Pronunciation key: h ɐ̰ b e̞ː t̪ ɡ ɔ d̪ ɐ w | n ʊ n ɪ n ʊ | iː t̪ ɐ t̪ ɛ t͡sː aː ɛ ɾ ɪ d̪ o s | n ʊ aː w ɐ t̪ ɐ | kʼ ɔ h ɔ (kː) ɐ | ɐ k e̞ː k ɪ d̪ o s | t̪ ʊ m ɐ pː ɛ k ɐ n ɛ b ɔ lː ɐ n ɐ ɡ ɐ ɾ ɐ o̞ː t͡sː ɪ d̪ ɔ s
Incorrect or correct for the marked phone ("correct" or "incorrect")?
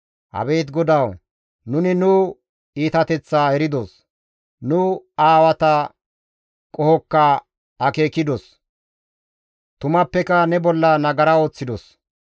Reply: correct